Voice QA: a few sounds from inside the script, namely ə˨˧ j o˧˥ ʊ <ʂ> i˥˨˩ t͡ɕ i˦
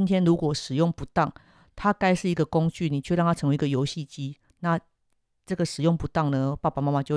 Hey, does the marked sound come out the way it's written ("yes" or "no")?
no